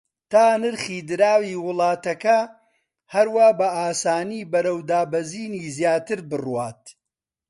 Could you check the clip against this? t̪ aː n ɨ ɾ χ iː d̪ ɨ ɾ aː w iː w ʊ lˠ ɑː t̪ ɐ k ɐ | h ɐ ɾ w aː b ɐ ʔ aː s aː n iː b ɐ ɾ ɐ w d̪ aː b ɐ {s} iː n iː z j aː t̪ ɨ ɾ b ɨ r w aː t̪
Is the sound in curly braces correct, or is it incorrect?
incorrect: z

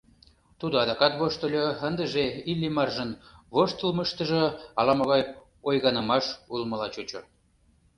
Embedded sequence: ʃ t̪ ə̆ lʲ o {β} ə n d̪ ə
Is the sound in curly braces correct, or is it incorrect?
incorrect: none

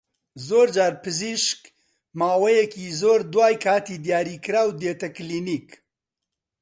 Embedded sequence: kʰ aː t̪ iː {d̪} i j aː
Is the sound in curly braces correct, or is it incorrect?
correct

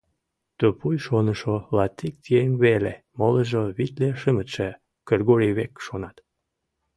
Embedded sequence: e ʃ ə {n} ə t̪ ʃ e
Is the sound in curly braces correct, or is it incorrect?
incorrect: m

